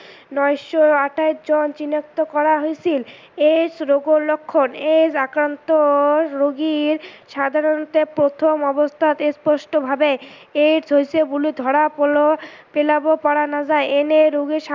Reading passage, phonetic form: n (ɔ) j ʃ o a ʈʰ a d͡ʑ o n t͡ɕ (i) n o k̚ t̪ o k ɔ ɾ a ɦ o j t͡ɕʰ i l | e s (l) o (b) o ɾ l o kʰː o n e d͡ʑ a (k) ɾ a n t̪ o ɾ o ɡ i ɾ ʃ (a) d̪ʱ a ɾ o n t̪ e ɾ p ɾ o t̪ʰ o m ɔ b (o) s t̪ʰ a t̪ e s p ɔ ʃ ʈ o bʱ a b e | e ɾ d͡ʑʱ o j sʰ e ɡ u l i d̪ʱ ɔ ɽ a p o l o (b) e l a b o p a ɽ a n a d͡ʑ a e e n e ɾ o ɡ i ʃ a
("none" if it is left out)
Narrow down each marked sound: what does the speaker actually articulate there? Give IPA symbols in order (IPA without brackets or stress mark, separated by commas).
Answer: ɔ, i, ɾ, ɡ, k, a, o, p